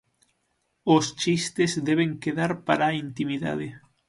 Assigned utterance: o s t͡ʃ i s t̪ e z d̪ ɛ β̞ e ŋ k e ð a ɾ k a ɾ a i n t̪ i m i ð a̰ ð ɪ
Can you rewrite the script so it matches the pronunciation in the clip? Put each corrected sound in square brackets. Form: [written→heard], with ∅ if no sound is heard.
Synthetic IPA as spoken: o s t͡ʃ i s t̪ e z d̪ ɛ β̞ e ŋ k e ð a ɾ [k→p] a ɾ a i n t̪ i m i ð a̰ ð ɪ